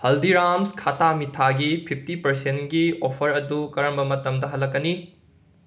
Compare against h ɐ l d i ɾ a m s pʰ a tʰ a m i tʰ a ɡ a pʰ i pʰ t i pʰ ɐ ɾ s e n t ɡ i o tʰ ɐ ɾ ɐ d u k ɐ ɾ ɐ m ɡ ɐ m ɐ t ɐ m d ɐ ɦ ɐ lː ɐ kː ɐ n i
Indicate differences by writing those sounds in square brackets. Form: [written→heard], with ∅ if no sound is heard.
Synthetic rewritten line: h ɐ l d i ɾ a m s [pʰ→kʰ] a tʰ a m i tʰ a ɡ [a→i] pʰ i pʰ t i [pʰ→p] ɐ ɾ s e n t ɡ i o [tʰ→pʰ] ɐ ɾ ɐ d u k ɐ ɾ ɐ m [ɡ→b] ɐ m ɐ t ɐ m d ɐ ɦ ɐ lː ɐ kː ɐ n i